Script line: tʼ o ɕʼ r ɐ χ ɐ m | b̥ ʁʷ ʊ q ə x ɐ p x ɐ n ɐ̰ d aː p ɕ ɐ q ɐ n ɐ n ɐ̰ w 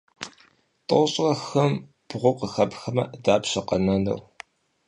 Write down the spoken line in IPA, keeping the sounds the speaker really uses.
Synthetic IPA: tʼ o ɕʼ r ɐ x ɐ m | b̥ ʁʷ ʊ q ə x ɐ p x ɐ m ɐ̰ d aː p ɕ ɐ q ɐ n ɐ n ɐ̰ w